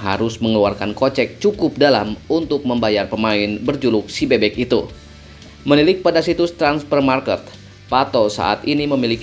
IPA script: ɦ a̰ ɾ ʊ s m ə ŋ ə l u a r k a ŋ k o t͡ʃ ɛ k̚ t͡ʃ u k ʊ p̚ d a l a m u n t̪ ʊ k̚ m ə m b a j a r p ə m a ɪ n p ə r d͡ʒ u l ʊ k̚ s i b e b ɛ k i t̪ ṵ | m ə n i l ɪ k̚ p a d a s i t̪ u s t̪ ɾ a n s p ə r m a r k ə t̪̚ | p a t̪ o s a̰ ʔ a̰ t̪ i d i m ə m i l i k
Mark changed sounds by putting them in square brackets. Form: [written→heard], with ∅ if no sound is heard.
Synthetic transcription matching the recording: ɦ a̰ ɾ ʊ s m ə ŋ ə l u a r k a [ŋ→n] k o t͡ʃ ɛ k̚ t͡ʃ u k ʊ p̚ d a l a m u n t̪ ʊ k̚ m ə m b a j a r p ə m a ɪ n [p→b] ə r d͡ʒ u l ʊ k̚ s i b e b ɛ k i t̪ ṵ | m ə n i l ɪ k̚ p a d a s i t̪ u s t̪ ɾ a n s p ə r m a r k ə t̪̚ | p a t̪ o s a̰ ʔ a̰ t̪ i [d→n] i m ə m i l i k

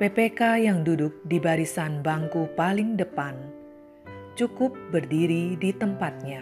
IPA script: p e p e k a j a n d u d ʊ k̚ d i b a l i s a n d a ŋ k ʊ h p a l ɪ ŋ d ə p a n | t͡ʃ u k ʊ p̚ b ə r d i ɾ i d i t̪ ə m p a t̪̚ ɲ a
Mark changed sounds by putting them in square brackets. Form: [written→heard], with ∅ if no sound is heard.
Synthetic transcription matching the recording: p e p e k a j a [n→ŋ] d u d ʊ k̚ d i b a [l→ɾ] i s a n [d→b] a ŋ k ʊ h p a l ɪ ŋ d ə p a n | t͡ʃ u k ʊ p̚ b ə r d i ɾ i d i t̪ ə m p a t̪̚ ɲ a

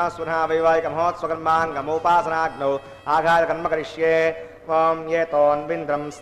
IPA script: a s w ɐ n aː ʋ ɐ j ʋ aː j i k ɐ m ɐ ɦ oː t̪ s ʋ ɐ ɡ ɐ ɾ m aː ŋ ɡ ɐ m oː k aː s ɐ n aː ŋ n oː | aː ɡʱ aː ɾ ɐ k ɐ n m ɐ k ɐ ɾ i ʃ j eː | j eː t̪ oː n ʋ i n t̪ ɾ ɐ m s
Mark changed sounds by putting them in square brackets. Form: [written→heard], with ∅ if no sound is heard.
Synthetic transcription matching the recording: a s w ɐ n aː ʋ ɐ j ʋ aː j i k ɐ m ɐ ɦ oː t̪ s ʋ ɐ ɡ ɐ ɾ m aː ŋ ɡ ɐ m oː [k→p] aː s ɐ n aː [ŋ→ɡ] n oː | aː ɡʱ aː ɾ ɐ k ɐ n m ɐ k ɐ ɾ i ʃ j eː | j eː t̪ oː n ʋ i n [t̪→d̪] ɾ ɐ m s

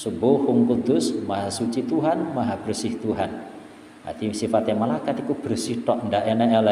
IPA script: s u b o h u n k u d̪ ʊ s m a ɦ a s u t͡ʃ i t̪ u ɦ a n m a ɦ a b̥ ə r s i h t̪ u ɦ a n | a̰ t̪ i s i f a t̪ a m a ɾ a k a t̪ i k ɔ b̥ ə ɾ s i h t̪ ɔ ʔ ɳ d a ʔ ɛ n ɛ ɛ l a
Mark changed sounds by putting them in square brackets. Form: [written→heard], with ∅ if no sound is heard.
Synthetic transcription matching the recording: s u b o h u [n→ŋ] k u d̪ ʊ s m a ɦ a s u t͡ʃ i t̪ u ɦ a n m a ɦ a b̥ ə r s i h t̪ u ɦ a n | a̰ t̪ i s i f a t̪ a m a [ɾ→l] a k a t̪ i k [ɔ→u] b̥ ə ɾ s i h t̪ ɔ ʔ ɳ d a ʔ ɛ n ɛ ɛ l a

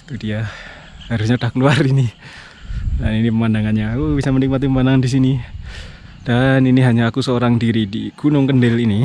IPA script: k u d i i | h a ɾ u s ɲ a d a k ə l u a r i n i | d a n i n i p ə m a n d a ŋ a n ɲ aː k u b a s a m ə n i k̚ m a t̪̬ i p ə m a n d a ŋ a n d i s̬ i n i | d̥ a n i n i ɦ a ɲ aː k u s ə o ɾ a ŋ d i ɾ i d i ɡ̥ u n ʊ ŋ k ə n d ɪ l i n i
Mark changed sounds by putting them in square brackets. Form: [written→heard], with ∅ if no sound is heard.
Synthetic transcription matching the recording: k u d i [i→a] | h a ɾ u s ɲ a d a k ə l u a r i n i | d a n i n i p ə m a n d a ŋ a n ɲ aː k u b [a→i] s a m ə n i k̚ m a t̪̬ i p ə m a n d a ŋ a n d i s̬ i n i | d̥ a n i n i ɦ a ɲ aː k u s ə o ɾ a ŋ d i ɾ i d i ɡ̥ u n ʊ ŋ k ə n d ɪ l i n i

